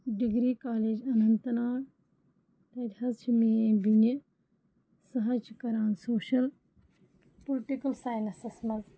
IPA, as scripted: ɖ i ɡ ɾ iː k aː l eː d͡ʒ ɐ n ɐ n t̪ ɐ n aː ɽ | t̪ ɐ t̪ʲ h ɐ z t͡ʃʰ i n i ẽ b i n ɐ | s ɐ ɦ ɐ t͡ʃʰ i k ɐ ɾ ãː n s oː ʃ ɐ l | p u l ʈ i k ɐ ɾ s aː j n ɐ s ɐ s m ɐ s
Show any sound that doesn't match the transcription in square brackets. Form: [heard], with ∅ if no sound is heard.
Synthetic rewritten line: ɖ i ɡ ɾ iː k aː l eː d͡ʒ ɐ n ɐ n t̪ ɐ n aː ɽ | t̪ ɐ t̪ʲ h ɐ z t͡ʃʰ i [m] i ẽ b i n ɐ | s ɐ ɦ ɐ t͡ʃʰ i k ɐ ɾ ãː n s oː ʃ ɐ l | p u l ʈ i k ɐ [l] s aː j n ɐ s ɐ s m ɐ [z]